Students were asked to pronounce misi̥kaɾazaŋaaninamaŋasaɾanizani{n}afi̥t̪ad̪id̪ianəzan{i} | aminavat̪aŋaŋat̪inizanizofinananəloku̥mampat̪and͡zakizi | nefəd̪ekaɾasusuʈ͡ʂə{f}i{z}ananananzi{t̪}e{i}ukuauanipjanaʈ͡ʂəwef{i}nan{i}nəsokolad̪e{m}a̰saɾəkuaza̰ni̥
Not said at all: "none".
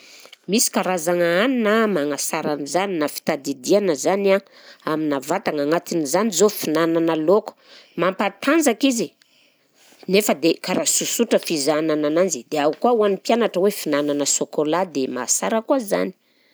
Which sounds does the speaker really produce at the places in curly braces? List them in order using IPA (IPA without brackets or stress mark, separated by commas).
n, a, f, z, d̪, a, i, a, m